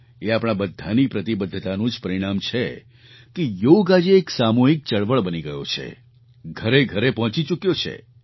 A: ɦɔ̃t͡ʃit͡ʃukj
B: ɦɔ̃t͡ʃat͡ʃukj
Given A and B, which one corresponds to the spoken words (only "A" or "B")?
A